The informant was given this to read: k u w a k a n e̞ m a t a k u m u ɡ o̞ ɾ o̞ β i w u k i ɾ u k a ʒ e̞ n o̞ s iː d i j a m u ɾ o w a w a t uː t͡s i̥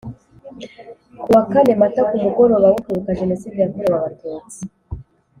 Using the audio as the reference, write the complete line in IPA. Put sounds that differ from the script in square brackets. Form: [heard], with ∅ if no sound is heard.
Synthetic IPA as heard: k u w a k a n e̞ m a t a k u m u ɡ o̞ ɾ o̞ β [a] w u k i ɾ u k a ʒ e̞ n o̞ s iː d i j a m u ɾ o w a [β] a t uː t͡s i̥